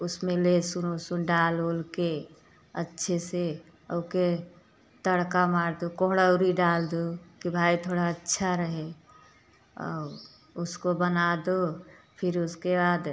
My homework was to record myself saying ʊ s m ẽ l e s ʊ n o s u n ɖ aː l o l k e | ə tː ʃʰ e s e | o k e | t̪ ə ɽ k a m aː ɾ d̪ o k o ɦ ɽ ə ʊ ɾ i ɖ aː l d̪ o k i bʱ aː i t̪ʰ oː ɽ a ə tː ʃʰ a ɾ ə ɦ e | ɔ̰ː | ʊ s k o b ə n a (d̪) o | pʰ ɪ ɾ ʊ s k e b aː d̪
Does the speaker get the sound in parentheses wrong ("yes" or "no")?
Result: no